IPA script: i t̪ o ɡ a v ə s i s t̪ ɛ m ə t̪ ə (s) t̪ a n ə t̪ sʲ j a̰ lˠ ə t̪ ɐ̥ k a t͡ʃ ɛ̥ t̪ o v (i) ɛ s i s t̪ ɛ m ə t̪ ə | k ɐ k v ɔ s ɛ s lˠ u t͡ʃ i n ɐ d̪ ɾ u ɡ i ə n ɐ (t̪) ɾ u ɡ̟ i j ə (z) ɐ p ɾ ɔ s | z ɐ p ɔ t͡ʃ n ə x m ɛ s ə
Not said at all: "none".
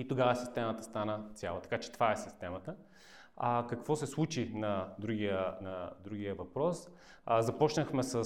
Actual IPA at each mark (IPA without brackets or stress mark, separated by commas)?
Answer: s, a, d̪, v